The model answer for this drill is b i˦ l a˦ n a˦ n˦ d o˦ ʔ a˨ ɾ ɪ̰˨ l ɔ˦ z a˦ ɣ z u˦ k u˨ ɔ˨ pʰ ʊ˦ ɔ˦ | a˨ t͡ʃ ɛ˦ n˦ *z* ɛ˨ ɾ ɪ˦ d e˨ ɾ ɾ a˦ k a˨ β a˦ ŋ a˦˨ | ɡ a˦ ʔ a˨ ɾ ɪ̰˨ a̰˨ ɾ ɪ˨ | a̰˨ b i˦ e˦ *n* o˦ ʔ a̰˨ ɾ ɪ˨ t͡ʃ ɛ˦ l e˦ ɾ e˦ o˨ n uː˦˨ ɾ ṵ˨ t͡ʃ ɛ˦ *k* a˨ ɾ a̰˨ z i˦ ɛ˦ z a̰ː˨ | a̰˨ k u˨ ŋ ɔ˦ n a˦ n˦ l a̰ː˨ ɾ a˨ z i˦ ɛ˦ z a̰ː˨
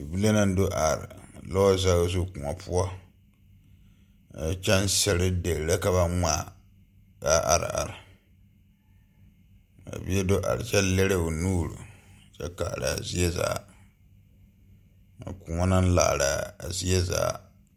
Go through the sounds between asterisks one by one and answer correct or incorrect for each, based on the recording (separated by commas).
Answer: incorrect, incorrect, correct